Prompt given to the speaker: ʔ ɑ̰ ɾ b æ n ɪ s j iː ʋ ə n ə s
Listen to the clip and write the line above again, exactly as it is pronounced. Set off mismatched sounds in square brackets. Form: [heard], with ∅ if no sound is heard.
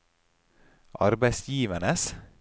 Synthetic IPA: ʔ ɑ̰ ɾ b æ [∅] ɪ s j iː ʋ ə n ə s